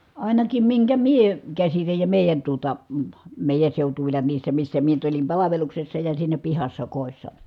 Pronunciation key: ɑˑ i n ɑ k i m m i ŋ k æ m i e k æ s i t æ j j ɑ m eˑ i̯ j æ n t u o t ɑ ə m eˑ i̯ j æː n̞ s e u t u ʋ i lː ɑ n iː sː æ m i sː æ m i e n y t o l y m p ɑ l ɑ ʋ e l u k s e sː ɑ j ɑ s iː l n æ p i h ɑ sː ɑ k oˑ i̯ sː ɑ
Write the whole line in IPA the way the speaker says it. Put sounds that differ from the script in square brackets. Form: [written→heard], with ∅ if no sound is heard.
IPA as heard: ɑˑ i n ɑ k i m m i ŋ k æ m i e k æ s i t æ j j ɑ m eˑ i̯ j æ n t u o t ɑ ə m eˑ i̯ j [æː→æ] n̞ s e u t u ʋ i lː ɑ n iː sː æ m i sː æ m i e n y t o l [y→i] m p ɑ l ɑ ʋ e l u k s e sː ɑ j ɑ s iː [l→∅] n æ p i h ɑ sː ɑ k oˑ i̯ sː ɑ